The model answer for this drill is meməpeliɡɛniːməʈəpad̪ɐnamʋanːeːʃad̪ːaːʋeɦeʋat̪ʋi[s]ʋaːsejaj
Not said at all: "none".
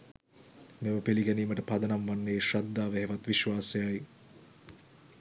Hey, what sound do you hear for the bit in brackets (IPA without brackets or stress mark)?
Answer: ʃ